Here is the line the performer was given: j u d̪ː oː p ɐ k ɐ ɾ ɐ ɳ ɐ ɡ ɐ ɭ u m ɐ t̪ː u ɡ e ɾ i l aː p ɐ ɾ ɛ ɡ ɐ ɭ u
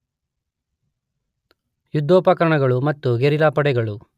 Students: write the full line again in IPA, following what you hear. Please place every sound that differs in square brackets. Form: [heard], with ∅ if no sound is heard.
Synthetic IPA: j u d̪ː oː p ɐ k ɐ ɾ ɐ ɳ ɐ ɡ ɐ ɭ u m ɐ t̪ː u ɡ e ɾ i l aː p ɐ [ɽ] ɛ ɡ ɐ ɭ u